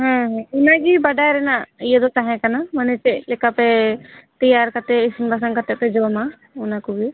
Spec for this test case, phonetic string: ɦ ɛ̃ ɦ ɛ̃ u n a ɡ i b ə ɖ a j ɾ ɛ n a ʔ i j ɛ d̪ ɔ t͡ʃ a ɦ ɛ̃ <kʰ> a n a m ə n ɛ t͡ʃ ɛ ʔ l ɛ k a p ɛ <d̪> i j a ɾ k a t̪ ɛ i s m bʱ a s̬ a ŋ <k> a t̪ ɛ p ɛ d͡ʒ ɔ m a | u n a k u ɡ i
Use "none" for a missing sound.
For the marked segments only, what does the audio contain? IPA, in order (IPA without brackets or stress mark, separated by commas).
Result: k, t̪, k